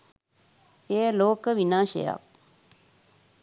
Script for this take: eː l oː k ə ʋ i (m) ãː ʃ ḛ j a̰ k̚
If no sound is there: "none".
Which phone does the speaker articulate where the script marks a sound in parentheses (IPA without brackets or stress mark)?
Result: n